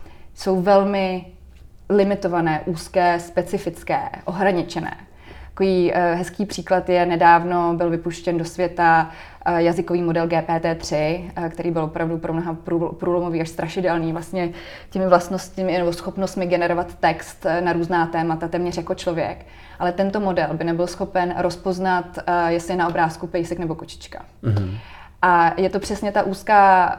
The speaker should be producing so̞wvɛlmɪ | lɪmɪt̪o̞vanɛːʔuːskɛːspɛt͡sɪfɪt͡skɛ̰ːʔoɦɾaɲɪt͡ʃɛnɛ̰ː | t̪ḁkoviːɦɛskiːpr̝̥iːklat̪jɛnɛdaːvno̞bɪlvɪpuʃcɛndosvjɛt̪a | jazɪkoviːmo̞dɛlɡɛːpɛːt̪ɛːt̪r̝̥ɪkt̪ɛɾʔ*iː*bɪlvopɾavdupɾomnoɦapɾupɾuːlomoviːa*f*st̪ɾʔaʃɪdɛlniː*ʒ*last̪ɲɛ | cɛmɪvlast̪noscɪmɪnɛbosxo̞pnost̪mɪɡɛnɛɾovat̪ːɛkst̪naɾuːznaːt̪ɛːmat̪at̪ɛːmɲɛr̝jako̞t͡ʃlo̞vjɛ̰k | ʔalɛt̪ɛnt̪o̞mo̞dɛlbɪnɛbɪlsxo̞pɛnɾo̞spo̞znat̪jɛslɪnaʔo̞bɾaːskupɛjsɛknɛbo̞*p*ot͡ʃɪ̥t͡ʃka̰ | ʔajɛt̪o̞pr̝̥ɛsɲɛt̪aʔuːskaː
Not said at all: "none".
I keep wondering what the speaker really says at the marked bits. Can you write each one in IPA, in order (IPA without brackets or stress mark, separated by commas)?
iː, ʃ, v, k